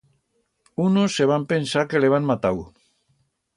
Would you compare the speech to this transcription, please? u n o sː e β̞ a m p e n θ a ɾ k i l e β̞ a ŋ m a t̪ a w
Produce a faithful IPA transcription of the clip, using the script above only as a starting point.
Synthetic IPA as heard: u n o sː e β̞ a m p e n s a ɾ k e l e β̞ a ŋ m a t̪ a w